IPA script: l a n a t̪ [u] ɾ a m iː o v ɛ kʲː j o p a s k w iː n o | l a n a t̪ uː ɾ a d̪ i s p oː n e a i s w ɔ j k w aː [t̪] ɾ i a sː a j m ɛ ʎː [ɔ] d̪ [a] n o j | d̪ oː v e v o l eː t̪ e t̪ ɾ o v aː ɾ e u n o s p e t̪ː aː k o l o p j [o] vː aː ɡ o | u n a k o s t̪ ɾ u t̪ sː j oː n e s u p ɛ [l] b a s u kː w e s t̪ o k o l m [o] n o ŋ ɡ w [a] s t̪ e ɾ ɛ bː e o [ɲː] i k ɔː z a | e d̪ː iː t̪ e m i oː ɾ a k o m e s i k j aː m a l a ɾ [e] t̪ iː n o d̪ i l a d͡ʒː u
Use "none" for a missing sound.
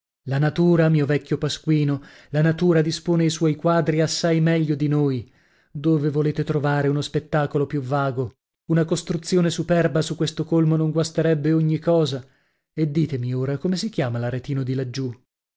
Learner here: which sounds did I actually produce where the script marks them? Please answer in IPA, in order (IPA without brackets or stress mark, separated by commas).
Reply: uː, d̪, o, i, u, r, o, a, ɲː, e